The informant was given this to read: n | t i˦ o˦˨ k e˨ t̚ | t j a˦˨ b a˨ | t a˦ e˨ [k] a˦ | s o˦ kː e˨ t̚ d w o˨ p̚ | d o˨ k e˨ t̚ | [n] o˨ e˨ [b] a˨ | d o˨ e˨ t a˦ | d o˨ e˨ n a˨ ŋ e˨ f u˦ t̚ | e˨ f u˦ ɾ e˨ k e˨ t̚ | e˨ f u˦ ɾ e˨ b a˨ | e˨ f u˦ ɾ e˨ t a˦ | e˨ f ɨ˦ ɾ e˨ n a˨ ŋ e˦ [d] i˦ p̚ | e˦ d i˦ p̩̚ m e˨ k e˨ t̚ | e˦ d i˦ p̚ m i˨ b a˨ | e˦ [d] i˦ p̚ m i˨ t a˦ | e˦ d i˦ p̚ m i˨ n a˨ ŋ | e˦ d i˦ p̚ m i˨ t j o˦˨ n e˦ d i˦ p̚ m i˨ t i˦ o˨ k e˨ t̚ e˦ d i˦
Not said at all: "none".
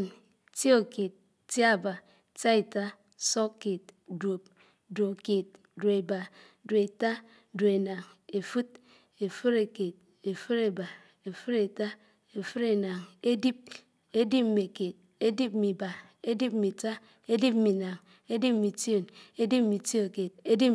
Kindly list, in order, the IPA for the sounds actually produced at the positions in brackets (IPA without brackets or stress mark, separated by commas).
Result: t, d, b, d, d